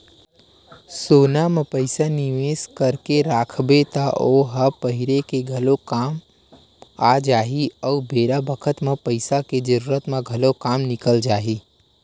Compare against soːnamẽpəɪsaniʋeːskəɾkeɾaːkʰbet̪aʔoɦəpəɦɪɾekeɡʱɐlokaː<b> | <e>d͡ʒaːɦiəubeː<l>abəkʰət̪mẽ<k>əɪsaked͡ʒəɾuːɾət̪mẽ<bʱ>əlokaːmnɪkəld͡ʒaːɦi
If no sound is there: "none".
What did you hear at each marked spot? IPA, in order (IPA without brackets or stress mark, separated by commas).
m, a, ɾ, p, ɡʱ